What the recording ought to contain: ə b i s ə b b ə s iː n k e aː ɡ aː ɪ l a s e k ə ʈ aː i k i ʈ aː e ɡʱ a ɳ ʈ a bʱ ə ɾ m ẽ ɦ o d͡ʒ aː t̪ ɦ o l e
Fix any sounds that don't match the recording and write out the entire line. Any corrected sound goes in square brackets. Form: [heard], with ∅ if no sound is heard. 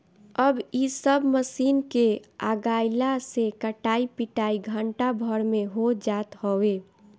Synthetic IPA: ə b i s ə b [m] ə s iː n k e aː ɡ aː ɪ l a s e k ə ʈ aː i [p] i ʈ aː [i] ɡʱ [ə] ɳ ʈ a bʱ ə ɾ m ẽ ɦ o d͡ʒ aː t̪ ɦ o [∅] e